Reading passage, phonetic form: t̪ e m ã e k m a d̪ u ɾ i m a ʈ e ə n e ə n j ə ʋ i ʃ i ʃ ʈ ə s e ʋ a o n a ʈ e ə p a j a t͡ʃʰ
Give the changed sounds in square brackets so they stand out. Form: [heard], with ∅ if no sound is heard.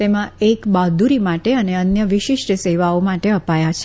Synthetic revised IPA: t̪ e m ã e k [b] a d̪ u ɾ i m a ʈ e ə n e ə n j ə ʋ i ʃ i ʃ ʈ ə s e ʋ a o [m] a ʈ e ə p a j a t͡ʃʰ